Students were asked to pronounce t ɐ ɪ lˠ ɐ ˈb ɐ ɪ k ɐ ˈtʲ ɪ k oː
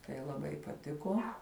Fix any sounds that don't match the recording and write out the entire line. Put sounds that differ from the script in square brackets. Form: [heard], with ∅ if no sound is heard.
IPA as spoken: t ɐ ɪ lˠ ɐ ˈb ɐ ɪ [p] ɐ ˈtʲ ɪ k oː